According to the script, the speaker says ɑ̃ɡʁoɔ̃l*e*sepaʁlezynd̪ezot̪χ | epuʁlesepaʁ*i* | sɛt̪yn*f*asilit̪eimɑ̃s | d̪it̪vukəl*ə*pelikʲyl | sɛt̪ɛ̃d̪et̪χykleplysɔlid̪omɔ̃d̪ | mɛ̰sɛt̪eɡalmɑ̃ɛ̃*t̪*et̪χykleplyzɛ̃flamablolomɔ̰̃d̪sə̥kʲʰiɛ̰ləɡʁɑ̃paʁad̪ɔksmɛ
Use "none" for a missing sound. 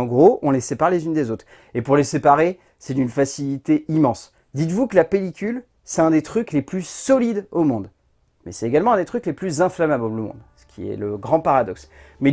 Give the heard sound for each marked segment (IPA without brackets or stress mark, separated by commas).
e, e, f, a, d̪